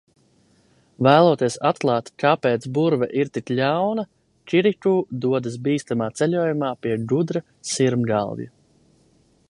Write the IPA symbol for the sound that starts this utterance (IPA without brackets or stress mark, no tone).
v